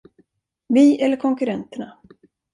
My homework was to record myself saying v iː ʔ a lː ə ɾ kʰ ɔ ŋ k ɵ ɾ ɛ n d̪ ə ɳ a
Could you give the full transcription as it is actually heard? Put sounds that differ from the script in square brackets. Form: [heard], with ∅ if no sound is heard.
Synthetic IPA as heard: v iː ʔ [ɛ] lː ə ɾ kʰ ɔ ŋ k ɵ ɾ ɛ n [t̪] ə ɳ a